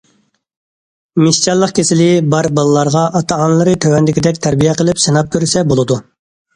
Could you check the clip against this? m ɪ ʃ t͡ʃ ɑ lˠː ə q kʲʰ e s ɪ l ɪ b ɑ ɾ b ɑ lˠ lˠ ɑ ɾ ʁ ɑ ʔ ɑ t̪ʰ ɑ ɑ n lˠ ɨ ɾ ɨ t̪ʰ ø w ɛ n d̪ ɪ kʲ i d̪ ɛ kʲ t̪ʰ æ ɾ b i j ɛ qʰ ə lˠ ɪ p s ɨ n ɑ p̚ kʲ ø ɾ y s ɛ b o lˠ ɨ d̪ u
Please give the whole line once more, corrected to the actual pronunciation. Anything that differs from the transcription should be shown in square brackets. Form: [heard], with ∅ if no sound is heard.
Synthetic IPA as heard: m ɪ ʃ t͡ʃ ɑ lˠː ə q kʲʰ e s ɪ l ɪ b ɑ ɾ b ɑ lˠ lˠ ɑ ɾ ʁ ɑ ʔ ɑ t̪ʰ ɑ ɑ n lˠ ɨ ɾ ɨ t̪ʰ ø w ɛ n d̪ ɪ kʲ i d̪ ɛ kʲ t̪ʰ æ ɾ b i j ɛ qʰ ə lˠ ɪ p s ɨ n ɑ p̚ kʲ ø ɾ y s ɛ b o lˠ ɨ d̪ u